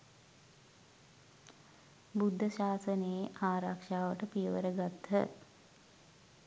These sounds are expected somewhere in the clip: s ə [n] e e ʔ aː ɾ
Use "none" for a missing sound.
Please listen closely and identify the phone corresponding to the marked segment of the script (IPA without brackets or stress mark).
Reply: n